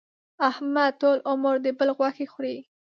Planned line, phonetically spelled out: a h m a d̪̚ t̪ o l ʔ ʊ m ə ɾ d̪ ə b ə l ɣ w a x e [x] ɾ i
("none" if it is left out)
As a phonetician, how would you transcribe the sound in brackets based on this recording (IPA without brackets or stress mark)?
x